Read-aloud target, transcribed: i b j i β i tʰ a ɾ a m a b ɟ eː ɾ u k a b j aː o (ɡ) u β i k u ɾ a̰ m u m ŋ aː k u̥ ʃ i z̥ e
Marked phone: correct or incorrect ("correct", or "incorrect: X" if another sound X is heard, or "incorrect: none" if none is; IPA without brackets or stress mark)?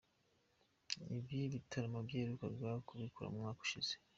incorrect: k